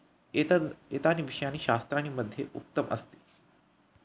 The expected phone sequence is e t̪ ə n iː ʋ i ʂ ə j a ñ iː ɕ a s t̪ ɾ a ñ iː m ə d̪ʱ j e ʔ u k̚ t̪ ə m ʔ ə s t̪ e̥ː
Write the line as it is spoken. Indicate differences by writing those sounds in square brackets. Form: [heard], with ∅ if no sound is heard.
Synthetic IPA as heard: e t̪ [a] n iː ʋ i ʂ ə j a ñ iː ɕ a s t̪ ɾ a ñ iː m ə d̪ʱ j e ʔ u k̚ t̪ ə m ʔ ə s t̪ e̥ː